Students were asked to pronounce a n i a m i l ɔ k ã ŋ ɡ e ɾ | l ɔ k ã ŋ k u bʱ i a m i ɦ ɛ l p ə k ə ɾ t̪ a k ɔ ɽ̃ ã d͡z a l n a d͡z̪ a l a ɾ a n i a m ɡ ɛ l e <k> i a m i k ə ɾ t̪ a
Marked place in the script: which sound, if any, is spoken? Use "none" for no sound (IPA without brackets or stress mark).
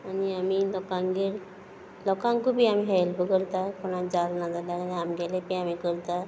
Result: p